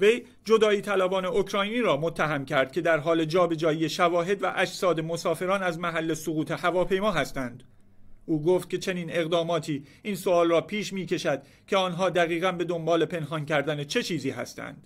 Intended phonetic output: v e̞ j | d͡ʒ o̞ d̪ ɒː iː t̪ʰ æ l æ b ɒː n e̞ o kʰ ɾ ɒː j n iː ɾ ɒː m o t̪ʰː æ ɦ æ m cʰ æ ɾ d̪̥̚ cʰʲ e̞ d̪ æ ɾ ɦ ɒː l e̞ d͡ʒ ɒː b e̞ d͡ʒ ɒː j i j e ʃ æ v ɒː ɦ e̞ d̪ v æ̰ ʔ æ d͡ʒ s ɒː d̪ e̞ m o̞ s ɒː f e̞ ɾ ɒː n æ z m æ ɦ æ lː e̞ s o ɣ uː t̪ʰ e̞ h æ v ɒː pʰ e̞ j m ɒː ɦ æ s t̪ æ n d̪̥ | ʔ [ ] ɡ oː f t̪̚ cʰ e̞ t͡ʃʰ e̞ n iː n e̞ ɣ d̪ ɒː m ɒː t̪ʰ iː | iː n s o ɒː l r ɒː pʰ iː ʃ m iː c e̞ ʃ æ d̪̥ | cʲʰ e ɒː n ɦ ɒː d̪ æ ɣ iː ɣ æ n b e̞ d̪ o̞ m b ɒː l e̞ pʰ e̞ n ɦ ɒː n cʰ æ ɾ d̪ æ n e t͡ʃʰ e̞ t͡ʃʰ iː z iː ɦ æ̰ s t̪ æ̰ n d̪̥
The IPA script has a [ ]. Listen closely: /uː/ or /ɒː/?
uː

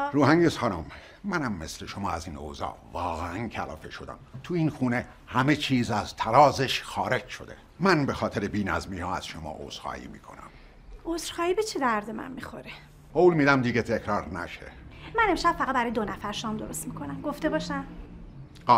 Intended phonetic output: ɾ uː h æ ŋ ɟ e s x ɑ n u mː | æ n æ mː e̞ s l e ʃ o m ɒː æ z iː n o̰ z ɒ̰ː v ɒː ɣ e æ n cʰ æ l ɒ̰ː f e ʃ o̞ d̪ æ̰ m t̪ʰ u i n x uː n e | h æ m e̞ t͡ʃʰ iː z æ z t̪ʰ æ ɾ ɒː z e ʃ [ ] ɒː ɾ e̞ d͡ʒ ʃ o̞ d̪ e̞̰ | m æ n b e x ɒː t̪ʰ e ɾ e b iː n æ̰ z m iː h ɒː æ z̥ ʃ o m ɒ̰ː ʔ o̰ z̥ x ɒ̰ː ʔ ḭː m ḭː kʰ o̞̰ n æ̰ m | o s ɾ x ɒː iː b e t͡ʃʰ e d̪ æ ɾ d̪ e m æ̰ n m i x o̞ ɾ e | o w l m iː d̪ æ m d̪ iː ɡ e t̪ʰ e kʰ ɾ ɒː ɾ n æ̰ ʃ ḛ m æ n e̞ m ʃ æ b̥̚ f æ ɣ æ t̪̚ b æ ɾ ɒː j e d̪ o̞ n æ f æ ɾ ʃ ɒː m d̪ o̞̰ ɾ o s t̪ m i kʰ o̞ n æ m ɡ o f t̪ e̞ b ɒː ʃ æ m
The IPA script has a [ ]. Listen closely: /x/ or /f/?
x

